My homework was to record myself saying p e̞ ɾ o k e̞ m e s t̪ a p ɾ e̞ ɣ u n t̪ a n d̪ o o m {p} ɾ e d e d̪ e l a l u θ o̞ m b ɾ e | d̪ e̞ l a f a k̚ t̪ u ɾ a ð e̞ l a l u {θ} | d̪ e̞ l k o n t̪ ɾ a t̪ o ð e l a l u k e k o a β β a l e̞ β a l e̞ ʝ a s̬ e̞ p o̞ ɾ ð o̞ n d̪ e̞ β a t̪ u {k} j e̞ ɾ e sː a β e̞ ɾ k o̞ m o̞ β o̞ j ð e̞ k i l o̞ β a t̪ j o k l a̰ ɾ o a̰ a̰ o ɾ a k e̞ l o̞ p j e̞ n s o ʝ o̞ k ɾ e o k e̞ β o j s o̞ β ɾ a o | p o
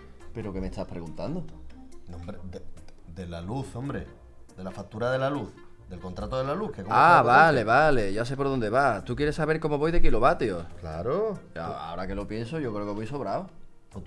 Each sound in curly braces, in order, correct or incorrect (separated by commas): incorrect, correct, correct